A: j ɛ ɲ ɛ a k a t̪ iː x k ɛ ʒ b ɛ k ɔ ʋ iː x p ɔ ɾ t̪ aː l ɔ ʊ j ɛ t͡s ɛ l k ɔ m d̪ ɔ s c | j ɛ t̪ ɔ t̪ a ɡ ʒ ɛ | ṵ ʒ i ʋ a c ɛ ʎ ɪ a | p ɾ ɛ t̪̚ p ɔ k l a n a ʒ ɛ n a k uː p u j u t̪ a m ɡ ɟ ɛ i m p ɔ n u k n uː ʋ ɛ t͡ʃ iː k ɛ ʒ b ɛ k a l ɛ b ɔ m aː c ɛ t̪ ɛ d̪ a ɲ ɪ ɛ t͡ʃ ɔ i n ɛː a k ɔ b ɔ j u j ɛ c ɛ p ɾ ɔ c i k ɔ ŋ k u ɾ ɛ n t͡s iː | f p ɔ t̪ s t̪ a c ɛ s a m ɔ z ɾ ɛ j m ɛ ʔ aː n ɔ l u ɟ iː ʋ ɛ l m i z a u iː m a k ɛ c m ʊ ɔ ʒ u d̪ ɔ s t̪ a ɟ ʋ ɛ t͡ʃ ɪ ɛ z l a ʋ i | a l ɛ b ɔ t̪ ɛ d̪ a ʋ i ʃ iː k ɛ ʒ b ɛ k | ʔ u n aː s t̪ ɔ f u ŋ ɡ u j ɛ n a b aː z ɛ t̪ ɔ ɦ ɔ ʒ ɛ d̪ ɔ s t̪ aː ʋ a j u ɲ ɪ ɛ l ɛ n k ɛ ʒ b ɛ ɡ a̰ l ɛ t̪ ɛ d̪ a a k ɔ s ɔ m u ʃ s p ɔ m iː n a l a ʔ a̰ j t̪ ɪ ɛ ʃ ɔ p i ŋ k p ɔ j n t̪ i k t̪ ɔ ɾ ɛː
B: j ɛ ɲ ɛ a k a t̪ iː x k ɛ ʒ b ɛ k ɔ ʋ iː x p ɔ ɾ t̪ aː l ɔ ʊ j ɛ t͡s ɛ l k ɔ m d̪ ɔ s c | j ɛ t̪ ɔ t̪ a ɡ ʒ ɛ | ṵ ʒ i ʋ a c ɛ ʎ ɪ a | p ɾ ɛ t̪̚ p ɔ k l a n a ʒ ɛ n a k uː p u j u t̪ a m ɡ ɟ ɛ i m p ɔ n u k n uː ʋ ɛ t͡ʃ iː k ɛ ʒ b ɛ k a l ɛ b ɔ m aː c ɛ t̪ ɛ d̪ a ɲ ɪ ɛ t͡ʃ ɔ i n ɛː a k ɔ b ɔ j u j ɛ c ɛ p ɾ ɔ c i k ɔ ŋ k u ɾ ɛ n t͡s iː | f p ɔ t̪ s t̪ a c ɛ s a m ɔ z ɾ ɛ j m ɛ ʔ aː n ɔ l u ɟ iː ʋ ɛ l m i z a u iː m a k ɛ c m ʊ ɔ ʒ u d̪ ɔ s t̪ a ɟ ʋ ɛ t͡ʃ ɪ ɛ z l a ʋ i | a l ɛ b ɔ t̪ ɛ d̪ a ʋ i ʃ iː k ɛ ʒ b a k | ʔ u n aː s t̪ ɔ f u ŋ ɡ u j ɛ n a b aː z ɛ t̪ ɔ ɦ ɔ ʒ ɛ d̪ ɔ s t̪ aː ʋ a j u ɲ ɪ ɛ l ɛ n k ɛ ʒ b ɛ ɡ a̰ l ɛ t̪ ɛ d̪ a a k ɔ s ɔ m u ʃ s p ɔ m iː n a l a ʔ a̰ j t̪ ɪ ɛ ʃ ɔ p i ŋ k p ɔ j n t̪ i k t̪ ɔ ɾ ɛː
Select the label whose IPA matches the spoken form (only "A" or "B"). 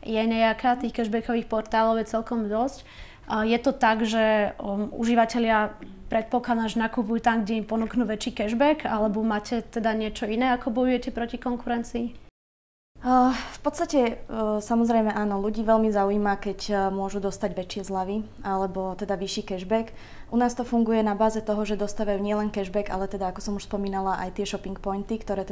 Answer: A